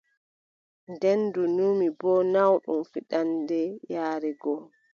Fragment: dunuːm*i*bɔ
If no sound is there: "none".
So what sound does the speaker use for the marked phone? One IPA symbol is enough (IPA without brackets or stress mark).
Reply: i